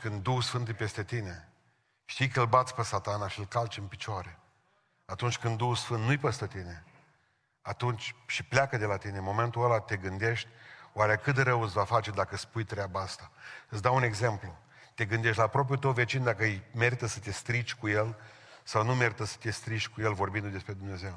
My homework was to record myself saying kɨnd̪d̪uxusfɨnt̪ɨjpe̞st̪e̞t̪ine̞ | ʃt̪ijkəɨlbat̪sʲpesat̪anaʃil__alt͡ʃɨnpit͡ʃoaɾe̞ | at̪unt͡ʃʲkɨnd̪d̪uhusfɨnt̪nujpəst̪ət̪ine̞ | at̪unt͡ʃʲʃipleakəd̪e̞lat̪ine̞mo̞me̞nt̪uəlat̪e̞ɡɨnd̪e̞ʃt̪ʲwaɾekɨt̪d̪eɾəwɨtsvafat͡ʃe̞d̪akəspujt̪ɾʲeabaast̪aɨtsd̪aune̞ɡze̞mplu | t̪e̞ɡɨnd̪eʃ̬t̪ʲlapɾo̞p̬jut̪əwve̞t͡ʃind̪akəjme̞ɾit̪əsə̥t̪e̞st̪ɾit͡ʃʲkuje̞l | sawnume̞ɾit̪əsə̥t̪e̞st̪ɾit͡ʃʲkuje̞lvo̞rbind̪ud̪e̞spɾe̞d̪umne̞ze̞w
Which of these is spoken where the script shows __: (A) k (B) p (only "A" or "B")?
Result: A